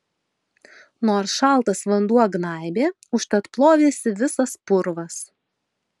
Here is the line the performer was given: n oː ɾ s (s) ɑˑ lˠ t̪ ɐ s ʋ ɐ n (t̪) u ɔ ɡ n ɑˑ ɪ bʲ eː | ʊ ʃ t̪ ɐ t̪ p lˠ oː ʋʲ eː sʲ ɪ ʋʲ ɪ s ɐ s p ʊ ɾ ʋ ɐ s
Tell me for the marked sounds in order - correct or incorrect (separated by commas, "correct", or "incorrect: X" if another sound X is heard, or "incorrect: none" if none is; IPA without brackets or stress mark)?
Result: incorrect: ʃ, incorrect: d̪